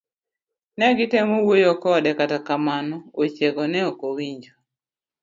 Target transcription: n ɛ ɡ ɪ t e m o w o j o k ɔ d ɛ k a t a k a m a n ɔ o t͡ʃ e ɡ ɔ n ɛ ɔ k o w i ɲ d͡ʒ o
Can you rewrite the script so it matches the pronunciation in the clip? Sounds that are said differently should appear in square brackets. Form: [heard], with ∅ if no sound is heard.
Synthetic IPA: n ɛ ɡ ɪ t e m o w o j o k ɔ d ɛ k a t a k a m a n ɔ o t͡ʃ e ɡ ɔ n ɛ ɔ k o w i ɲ d͡ʒ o

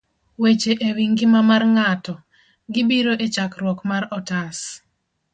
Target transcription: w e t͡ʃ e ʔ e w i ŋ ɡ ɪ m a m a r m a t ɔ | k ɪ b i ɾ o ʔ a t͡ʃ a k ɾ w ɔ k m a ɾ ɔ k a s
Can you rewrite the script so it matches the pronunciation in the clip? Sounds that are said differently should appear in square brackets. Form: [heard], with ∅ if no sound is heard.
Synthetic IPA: w e t͡ʃ e ʔ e w i ŋ ɡ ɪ m a m a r [ŋ] a t ɔ | [ɡ] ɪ b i ɾ o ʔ [e] t͡ʃ a k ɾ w ɔ k m a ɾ ɔ [t] a s

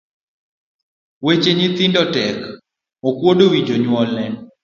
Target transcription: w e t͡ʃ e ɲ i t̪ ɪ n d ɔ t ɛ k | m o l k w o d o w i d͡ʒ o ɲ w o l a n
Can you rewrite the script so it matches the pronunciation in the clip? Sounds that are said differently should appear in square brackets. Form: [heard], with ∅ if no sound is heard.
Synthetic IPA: w e t͡ʃ e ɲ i t̪ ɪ n d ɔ t ɛ k | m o [∅] k w o d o w i d͡ʒ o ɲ w [ɔ] l [ɛ] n

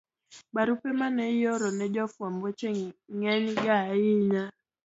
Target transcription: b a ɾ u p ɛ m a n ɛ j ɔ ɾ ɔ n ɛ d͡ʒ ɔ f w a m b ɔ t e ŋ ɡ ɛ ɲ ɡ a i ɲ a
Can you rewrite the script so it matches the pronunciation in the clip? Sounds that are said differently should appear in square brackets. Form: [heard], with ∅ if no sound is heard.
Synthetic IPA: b a ɾ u p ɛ m a n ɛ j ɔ ɾ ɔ n ɛ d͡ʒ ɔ f w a m b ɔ [t͡ʃ] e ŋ [ŋ] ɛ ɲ ɡ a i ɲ a

